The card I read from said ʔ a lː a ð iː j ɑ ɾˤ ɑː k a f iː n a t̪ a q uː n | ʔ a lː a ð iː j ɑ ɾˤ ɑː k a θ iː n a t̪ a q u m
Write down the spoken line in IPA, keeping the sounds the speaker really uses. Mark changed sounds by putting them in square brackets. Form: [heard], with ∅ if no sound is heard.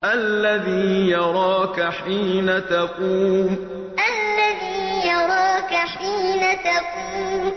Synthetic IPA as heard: ʔ a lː a ð iː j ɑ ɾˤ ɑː k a [ħ] iː n a t̪ a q uː [m] | ʔ a lː a ð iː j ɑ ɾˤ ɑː k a [ħ] iː n a t̪ a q [uː] m

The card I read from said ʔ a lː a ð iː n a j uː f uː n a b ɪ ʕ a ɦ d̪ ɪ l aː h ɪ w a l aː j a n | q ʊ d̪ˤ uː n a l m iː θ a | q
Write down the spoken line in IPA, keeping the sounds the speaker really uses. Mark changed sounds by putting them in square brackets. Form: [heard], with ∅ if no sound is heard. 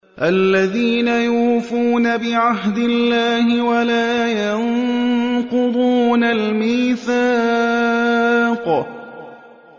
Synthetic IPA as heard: ʔ a lː a ð iː n a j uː f uː n a b ɪ ʕ a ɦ d̪ ɪ [lː] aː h ɪ w a l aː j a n | q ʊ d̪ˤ uː n a l m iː θ a | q

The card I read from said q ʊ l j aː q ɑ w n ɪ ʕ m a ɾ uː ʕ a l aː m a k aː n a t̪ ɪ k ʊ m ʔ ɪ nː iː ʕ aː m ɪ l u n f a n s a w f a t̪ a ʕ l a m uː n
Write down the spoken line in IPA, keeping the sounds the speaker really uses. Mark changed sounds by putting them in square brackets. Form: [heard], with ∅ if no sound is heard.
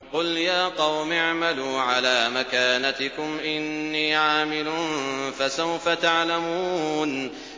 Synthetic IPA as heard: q ʊ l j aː q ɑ w [m] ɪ ʕ m a [l] uː ʕ a l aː m a k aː n a t̪ ɪ k ʊ m ʔ ɪ nː iː ʕ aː m ɪ l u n f a [∅] s a w f a t̪ a ʕ l a m uː n

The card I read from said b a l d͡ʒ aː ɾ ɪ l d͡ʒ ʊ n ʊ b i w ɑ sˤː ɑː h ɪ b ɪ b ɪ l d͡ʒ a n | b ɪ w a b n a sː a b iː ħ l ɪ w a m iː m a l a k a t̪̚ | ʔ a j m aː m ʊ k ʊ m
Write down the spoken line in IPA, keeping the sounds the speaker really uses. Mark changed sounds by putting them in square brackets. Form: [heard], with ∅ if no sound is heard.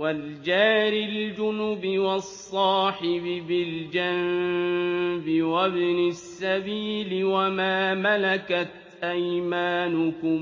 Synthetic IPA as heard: [w] a l d͡ʒ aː ɾ ɪ l d͡ʒ ʊ n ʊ b [ɪ] w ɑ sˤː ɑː [ħ] ɪ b ɪ b ɪ l d͡ʒ a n | b ɪ w a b n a sː a b iː [∅] l ɪ w a m [aː] m a l a k a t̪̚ | ʔ a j m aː [n] ʊ k ʊ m

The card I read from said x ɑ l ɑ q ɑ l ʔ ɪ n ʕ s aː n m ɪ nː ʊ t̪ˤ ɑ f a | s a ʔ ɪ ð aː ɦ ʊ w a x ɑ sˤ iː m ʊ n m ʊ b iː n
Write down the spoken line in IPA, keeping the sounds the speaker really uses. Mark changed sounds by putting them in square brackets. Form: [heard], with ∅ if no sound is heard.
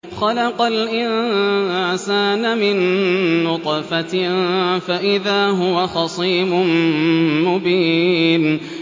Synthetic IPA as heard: x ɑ l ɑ q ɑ l ʔ ɪ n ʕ s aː n m ɪ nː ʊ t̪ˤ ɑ f a | [f] a ʔ ɪ ð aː ɦ ʊ w a x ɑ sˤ iː m ʊ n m ʊ b iː n

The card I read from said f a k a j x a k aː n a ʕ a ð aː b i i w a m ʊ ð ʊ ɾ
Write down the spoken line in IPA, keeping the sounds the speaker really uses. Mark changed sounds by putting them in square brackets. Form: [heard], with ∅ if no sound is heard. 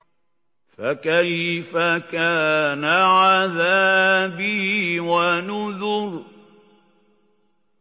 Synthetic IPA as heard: f a k a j [f] a k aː n a ʕ a ð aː b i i w a [n] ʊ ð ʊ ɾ

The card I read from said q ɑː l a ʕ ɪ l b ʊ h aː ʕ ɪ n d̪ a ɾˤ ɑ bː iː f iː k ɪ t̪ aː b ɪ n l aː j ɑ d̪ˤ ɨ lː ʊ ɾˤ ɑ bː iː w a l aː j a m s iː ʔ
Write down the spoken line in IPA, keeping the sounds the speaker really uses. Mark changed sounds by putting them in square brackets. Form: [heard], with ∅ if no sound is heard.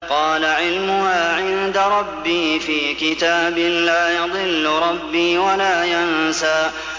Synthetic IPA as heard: q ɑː l a ʕ ɪ l [m] ʊ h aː ʕ ɪ n d̪ a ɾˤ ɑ bː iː f iː k ɪ t̪ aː b ɪ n l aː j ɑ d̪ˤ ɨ lː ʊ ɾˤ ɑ bː iː w a l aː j a [n] s [aː] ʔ

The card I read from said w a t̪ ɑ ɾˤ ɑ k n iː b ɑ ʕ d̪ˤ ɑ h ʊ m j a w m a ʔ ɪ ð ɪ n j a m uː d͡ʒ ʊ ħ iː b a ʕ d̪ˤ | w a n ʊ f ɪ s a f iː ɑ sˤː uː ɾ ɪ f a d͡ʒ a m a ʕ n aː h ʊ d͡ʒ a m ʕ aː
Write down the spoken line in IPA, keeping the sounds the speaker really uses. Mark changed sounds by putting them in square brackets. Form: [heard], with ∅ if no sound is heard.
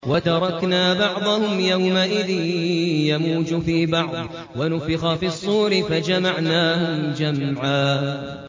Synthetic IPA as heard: w a t̪ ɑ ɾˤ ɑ k n [aː] b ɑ ʕ d̪ˤ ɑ h ʊ m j a w m a ʔ ɪ ð ɪ n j a m uː d͡ʒ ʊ [f] iː b [ɑ] ʕ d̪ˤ | w a n ʊ f ɪ [x] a f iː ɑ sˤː uː ɾ ɪ f a d͡ʒ a m a ʕ n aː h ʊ d͡ʒ a m ʕ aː

